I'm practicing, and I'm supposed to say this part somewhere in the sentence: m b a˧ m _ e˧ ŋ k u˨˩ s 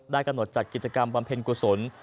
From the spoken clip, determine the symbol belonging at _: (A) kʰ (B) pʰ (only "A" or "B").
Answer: B